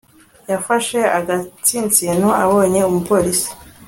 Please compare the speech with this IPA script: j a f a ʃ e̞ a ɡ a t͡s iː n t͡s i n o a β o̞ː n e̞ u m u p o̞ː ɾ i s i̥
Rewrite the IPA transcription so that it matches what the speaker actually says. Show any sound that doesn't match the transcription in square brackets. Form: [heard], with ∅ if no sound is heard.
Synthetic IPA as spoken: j a f a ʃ e̞ a ɡ a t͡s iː n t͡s i n o a β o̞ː [ɲ] e̞ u m u p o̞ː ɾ i s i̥